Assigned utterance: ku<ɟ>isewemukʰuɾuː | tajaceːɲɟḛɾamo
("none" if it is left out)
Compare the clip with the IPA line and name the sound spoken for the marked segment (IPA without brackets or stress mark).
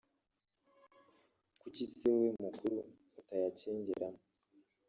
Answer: c